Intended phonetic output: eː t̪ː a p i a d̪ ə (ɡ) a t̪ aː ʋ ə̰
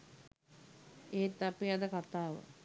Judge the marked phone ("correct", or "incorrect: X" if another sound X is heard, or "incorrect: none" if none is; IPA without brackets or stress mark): incorrect: k